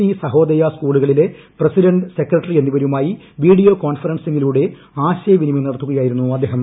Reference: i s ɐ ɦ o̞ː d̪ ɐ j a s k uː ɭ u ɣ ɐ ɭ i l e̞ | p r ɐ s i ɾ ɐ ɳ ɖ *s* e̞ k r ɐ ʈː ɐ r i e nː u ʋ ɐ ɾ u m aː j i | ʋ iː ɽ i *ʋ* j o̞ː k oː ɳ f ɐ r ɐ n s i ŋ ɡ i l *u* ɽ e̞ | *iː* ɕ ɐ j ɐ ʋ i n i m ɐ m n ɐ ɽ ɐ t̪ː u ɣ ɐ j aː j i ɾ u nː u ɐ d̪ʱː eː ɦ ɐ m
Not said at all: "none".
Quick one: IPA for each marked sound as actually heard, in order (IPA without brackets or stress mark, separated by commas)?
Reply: s, none, uː, aː